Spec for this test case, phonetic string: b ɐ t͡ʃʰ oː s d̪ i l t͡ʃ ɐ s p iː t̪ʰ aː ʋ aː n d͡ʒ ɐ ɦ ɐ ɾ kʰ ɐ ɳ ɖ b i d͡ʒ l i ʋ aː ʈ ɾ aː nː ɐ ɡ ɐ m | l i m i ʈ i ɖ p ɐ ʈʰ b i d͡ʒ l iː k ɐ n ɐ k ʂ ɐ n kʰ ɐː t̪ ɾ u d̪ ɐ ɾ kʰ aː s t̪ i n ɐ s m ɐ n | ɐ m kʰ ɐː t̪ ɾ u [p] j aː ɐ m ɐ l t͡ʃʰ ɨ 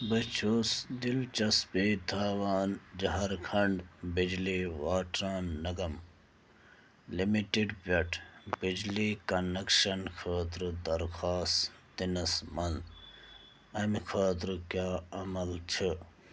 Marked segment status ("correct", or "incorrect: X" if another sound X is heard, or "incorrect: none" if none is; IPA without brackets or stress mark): incorrect: k